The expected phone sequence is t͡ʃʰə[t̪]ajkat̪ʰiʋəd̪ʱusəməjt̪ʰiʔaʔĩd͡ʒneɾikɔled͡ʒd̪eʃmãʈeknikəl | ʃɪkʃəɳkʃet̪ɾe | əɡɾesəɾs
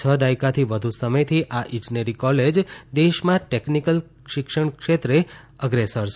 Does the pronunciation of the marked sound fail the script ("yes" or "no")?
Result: yes